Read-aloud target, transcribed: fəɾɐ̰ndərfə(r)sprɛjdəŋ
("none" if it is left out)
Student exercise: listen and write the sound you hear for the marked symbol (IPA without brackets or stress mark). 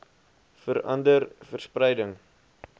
r